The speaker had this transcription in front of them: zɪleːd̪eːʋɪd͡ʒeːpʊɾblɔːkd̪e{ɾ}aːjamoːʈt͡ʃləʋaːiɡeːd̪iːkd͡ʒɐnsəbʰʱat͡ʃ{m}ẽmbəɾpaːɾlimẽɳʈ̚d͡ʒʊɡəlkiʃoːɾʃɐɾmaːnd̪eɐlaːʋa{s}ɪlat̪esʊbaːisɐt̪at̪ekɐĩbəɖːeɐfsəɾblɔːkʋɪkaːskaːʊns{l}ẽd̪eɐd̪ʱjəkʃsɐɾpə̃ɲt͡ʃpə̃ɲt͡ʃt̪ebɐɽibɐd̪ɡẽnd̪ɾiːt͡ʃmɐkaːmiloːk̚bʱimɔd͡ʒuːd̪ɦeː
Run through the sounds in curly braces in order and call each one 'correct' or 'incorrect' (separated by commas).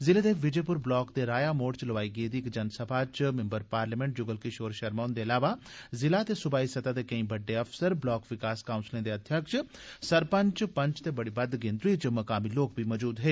correct, correct, incorrect, correct